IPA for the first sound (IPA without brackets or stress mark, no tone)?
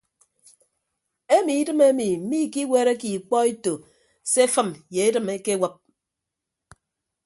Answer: e